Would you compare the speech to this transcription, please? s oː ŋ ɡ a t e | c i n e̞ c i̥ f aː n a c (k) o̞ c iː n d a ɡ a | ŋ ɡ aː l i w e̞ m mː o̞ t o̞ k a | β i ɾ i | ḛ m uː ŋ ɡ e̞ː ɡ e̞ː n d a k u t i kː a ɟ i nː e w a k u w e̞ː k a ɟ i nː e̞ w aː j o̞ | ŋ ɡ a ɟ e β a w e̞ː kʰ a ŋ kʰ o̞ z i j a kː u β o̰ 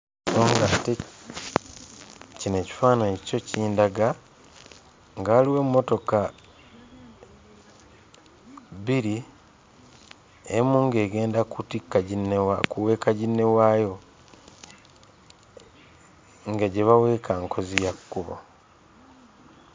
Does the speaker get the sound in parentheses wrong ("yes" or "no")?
yes